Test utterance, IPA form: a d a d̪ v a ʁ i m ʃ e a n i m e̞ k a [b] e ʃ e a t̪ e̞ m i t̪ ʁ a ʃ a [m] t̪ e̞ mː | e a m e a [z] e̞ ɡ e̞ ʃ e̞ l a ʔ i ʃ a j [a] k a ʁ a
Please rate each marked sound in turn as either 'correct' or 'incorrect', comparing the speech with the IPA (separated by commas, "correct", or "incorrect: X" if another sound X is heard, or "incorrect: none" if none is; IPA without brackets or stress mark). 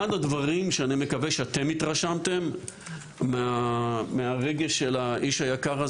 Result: incorrect: v, correct, incorrect: ʁ, correct